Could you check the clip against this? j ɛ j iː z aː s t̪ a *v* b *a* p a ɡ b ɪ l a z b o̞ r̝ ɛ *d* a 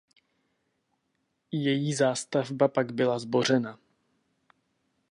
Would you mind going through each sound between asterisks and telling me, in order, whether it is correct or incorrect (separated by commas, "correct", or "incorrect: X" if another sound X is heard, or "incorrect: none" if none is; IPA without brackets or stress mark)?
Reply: correct, correct, incorrect: n